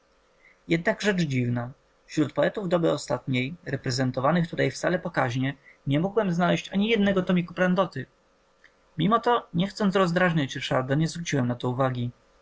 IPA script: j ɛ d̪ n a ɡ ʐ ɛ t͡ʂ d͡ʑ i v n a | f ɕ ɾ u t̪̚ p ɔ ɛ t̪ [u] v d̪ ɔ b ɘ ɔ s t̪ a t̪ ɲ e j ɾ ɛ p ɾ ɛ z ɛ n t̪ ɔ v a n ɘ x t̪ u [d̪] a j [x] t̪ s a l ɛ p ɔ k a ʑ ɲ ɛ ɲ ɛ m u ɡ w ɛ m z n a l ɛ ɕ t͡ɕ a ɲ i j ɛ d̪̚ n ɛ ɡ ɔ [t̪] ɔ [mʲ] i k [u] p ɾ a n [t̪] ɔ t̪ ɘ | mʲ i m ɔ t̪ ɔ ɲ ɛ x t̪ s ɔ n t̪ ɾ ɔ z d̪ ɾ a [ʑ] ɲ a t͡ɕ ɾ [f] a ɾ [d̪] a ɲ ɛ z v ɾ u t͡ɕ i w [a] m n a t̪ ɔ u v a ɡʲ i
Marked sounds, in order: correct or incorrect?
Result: correct, incorrect, incorrect, correct, correct, correct, incorrect, incorrect, incorrect, correct, incorrect

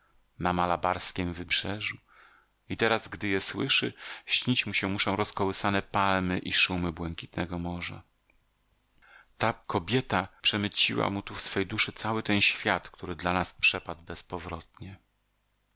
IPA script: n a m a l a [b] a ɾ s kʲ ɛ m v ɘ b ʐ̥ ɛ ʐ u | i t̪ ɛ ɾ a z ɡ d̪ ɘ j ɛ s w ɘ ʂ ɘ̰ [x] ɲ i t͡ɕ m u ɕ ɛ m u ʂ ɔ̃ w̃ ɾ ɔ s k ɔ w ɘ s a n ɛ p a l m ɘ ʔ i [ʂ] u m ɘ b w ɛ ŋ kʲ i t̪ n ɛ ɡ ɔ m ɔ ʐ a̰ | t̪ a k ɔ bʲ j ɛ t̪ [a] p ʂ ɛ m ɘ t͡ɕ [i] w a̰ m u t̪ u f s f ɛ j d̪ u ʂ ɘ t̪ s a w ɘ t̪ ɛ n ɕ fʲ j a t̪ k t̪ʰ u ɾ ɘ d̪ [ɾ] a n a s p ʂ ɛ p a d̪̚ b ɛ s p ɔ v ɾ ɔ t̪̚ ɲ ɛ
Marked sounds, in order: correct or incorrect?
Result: correct, incorrect, correct, correct, correct, incorrect

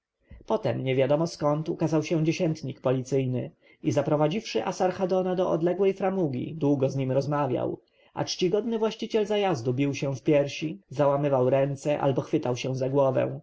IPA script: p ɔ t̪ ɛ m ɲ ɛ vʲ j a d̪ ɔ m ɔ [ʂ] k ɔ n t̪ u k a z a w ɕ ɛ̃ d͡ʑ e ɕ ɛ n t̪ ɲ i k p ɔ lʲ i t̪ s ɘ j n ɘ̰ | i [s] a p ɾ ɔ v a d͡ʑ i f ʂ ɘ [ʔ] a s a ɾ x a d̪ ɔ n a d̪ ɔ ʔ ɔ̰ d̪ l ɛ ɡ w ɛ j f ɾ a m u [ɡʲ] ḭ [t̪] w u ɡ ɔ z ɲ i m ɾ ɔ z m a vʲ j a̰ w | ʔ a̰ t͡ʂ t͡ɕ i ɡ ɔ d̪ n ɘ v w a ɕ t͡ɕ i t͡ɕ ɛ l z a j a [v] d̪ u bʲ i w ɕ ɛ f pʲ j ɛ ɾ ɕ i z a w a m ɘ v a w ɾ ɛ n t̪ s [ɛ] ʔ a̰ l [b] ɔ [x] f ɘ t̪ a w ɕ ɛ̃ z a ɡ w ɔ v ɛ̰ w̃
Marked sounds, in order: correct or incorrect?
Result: incorrect, incorrect, correct, correct, incorrect, incorrect, correct, correct, correct

